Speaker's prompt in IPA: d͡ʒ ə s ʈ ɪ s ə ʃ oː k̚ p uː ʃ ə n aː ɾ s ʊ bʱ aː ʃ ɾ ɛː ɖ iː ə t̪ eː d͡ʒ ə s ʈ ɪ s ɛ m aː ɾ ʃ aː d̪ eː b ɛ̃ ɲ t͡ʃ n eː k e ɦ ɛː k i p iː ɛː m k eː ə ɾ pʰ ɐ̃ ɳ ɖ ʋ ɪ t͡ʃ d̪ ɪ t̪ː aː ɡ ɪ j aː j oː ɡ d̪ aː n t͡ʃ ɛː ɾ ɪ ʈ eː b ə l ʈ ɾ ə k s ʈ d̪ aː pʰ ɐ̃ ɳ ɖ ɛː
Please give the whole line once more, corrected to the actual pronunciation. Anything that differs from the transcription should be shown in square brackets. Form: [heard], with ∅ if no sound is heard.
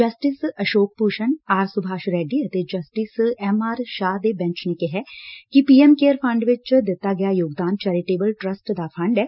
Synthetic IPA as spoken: d͡ʒ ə s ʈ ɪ s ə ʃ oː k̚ p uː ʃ ə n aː ɾ s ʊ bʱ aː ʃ ɾ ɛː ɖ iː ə t̪ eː d͡ʒ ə s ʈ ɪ s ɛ m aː ɾ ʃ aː d̪ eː b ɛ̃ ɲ t͡ʃ n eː k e ɦ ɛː k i p iː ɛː m k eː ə ɾ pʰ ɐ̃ ɳ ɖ ʋ ɪ t͡ʃ d̪ ɪ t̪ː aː ɡ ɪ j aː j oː ɡ d̪ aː n t͡ʃ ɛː ɾ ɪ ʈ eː b ə l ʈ ɾ ə [∅] s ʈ d̪ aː pʰ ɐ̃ ɳ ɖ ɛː